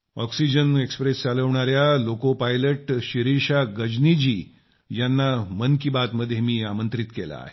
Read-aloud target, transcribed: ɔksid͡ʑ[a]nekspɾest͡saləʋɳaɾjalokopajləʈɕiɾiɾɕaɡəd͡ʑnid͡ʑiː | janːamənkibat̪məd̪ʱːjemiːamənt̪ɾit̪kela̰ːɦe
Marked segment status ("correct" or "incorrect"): incorrect